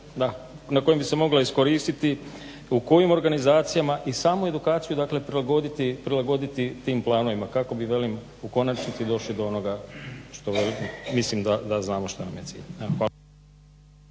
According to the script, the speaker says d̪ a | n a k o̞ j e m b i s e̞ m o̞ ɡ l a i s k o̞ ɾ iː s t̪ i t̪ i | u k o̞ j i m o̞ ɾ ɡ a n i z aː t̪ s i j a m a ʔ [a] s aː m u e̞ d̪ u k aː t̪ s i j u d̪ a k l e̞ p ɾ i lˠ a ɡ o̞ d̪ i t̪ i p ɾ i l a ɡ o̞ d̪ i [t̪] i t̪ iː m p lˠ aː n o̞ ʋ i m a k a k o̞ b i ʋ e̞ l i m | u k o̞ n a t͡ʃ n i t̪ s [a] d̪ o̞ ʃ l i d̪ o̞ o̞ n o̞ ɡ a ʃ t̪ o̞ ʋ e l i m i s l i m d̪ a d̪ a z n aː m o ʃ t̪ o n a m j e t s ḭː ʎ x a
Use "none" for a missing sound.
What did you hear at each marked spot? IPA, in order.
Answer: i, t̪, i

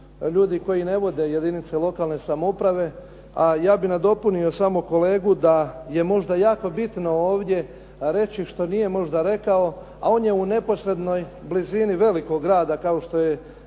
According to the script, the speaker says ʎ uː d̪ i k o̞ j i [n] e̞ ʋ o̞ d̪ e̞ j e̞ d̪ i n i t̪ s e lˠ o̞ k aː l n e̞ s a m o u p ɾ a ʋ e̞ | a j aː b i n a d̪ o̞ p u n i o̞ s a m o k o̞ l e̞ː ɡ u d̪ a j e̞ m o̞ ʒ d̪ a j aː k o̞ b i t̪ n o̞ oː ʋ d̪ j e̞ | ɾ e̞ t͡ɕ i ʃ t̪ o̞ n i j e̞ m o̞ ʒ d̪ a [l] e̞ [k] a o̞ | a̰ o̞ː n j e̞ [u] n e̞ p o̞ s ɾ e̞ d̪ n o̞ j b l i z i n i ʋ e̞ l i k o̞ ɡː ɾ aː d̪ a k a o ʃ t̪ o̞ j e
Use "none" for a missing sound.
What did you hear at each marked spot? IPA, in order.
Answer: n, ɾ, k, u

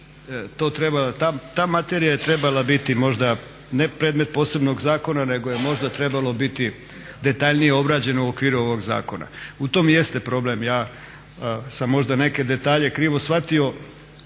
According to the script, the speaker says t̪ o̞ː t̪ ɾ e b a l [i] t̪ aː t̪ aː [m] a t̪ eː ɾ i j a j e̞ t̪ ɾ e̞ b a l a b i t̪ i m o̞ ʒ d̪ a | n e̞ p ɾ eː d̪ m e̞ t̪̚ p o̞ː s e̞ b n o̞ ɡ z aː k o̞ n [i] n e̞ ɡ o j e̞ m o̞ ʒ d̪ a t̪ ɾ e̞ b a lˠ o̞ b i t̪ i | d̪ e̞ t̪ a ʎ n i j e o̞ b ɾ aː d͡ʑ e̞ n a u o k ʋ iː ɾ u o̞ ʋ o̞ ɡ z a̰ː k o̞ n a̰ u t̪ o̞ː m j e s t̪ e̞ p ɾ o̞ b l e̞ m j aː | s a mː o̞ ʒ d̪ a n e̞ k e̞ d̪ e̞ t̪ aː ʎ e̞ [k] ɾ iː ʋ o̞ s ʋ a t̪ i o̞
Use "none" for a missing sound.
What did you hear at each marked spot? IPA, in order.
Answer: a, m, a, k

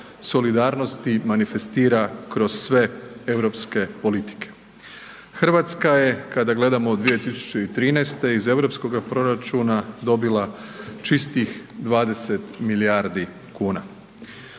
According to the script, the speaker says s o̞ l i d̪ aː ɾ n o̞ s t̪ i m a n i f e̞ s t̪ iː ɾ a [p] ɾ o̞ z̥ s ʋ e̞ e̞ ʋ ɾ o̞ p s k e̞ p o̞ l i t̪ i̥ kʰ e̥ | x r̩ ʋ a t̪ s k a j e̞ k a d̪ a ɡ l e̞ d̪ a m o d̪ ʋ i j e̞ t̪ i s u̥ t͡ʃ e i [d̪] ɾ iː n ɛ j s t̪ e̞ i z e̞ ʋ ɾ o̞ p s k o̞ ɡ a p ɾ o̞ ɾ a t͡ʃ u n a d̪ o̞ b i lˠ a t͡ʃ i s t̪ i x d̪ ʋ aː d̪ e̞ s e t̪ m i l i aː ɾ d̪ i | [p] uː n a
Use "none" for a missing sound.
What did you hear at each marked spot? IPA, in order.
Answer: k, t̪, k

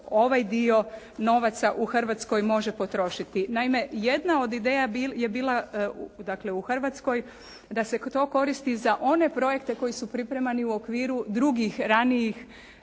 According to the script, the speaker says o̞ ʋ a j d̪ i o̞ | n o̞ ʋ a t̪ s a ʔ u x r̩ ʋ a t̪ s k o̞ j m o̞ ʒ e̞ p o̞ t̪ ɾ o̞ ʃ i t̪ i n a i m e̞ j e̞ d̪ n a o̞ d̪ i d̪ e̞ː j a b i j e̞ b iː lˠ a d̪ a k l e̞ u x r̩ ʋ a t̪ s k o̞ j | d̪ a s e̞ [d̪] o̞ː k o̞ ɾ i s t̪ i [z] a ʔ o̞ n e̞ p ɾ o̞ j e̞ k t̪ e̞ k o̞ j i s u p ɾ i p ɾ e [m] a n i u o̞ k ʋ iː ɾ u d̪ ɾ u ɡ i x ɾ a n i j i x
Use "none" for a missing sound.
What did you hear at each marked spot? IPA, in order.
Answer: t̪, z, m

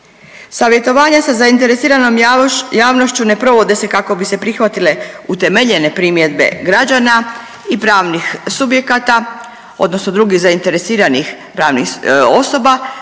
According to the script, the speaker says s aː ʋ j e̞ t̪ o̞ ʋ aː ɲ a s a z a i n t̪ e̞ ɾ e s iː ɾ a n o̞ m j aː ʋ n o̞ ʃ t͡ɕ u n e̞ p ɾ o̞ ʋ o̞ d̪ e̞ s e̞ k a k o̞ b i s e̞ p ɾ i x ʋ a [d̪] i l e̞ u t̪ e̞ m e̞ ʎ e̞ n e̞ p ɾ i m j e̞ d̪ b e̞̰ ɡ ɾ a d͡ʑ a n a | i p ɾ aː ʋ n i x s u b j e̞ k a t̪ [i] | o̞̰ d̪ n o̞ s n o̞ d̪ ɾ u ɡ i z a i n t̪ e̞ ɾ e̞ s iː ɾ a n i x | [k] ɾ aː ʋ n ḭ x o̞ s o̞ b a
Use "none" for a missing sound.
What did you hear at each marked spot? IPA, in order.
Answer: t̪, a, p

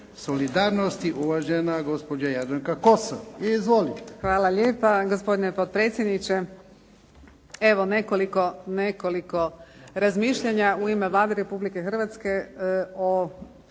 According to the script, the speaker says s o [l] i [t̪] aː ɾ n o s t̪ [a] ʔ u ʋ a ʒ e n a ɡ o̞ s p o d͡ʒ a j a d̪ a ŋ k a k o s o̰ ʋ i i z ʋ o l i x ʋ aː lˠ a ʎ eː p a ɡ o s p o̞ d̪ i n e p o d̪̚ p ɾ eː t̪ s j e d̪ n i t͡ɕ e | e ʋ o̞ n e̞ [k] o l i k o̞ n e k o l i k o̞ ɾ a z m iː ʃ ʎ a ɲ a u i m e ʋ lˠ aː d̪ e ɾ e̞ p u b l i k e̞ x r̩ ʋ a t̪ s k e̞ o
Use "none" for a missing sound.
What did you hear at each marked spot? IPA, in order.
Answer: l, d̪, i, k

